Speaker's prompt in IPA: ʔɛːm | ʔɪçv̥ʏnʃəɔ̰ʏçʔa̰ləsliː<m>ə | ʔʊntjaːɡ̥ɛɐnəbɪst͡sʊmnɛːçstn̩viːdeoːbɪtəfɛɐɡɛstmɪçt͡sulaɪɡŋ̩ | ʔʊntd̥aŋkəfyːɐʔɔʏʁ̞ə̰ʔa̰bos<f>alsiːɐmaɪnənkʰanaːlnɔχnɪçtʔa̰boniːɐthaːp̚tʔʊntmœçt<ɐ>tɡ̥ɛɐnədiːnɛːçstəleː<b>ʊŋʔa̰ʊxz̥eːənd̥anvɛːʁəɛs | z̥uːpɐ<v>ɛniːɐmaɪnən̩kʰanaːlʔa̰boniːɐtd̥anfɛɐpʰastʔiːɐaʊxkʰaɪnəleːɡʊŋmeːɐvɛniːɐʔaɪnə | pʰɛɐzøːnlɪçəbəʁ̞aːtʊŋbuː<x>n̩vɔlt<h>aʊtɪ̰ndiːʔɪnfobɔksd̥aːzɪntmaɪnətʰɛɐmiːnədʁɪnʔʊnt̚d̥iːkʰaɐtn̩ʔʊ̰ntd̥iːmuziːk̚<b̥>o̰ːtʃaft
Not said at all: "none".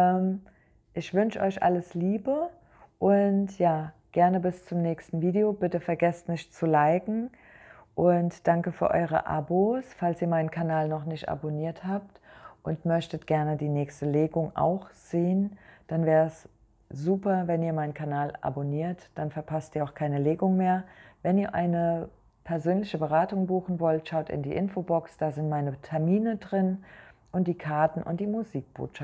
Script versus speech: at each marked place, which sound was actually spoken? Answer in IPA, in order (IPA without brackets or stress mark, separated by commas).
b, f, ə, ɡ, v, x, ʃ, b̥